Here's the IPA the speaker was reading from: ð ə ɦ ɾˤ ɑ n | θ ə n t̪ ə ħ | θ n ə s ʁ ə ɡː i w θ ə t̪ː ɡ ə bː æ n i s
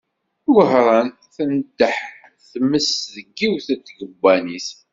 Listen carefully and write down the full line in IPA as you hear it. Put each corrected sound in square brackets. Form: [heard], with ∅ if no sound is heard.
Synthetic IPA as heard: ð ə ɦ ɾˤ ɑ n | θ ə n [d̪] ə ħ | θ [m] ə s [ð] ə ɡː i w θ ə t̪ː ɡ ə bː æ n i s